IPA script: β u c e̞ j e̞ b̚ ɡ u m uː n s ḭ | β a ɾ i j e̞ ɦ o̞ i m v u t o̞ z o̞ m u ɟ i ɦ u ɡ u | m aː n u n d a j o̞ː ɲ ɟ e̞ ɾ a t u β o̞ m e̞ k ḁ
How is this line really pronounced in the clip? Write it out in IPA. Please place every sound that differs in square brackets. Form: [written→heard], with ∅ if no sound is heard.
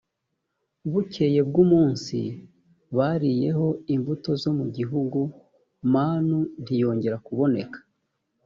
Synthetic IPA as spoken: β u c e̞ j e̞ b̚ ɡ u m uː n s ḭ | β a ɾ i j e̞ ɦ o̞ i m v u t o̞ z o̞ m u ɟ i ɦ u ɡ u | m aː n u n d [a→i] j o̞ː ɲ ɟ e̞ ɾ a [t→k] u β o̞ [m→n] e̞ k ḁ